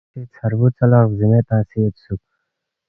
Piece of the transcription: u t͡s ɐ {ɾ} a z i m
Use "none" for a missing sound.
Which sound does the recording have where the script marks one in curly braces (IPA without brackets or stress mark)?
l